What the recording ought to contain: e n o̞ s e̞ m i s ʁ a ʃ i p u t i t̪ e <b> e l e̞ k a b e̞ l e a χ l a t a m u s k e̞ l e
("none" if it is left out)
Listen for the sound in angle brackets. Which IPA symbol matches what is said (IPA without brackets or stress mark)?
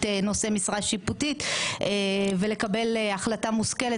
v